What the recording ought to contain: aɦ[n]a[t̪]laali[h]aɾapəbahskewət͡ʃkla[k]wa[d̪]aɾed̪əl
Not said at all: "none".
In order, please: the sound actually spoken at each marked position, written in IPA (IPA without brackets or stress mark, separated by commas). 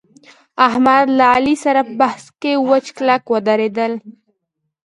m, d̪, s, k, d̪